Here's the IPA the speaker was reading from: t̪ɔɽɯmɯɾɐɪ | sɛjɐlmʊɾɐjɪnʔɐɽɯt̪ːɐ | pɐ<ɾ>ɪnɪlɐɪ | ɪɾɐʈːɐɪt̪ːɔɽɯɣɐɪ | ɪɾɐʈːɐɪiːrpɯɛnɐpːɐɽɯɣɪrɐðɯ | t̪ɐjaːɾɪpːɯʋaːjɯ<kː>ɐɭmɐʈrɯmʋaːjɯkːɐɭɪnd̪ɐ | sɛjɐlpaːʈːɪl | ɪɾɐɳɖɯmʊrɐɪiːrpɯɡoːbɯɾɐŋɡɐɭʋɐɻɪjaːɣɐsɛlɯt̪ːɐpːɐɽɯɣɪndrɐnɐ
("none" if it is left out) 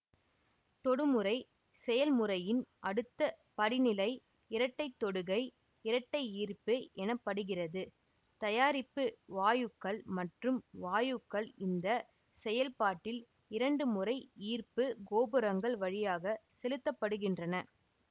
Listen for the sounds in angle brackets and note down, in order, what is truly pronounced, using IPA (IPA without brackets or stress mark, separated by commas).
ɽ, kː